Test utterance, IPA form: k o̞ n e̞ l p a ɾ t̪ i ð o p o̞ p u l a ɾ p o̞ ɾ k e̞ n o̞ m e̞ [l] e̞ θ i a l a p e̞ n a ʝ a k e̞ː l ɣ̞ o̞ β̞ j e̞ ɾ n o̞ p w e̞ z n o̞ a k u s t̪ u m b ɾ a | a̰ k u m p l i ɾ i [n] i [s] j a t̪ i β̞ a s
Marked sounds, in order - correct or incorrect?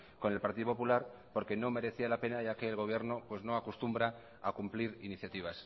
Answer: incorrect: ɾ, correct, incorrect: θ

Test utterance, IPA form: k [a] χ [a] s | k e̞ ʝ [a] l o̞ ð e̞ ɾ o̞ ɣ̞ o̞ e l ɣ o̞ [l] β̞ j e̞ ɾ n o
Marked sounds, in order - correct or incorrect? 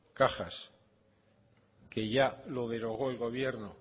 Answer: correct, correct, correct, incorrect: none

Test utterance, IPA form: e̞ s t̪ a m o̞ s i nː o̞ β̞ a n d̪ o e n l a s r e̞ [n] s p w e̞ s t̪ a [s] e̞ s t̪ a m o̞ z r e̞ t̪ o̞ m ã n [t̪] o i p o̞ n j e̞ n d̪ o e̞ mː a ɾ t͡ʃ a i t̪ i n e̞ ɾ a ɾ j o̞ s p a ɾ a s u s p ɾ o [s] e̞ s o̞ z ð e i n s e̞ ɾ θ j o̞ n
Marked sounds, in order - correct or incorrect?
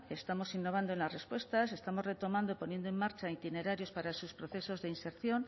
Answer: incorrect: none, correct, incorrect: d̪, incorrect: θ

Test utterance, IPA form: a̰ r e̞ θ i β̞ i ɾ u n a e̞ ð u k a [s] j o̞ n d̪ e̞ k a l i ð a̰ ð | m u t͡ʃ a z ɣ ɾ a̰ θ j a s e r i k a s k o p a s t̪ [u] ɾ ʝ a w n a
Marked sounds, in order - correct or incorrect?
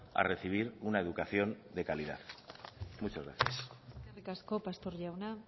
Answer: incorrect: θ, incorrect: o

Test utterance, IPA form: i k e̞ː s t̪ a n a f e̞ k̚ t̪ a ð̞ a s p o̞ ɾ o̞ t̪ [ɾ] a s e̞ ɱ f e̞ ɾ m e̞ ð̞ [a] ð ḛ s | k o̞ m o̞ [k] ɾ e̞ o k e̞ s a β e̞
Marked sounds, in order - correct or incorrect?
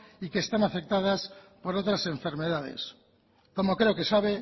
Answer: correct, correct, correct

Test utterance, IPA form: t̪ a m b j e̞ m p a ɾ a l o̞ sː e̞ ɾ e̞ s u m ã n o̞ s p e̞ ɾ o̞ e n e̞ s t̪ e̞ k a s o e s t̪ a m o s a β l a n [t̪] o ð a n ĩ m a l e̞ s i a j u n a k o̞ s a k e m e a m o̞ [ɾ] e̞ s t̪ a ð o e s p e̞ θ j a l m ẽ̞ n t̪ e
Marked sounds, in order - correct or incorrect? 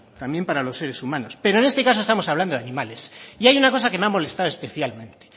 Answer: incorrect: d̪, incorrect: l

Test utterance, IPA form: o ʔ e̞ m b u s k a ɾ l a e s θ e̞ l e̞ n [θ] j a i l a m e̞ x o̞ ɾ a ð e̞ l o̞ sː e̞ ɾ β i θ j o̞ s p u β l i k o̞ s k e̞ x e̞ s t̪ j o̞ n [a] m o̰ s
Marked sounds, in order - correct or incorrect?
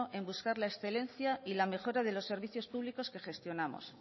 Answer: correct, correct

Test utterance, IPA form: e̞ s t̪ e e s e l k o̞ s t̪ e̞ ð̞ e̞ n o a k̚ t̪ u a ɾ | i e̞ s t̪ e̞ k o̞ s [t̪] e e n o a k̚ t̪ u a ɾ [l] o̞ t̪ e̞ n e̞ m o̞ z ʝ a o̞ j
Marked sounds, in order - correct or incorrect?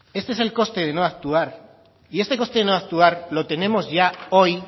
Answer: correct, correct

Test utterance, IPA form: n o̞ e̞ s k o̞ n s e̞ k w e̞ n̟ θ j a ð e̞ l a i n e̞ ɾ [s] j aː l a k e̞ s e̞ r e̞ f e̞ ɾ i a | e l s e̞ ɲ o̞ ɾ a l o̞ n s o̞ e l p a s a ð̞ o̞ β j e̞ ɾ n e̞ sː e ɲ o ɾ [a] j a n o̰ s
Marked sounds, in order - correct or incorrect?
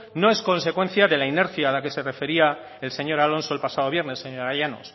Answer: incorrect: θ, correct

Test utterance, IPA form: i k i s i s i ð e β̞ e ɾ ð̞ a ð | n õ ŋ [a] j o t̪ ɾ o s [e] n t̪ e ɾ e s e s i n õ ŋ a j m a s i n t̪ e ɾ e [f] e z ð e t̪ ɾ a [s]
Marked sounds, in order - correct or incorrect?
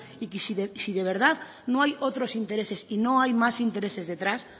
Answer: correct, incorrect: i, incorrect: s, correct

